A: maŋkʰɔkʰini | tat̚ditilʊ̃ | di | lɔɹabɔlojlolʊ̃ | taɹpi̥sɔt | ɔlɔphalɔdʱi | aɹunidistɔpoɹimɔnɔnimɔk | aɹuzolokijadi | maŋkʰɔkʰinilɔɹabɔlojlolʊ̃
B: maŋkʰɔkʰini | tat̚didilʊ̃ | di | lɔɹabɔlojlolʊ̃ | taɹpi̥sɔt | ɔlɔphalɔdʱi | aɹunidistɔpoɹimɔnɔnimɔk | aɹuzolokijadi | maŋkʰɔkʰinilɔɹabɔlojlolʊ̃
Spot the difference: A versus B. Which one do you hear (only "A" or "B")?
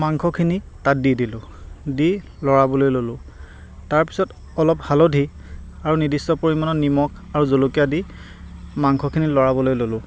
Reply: B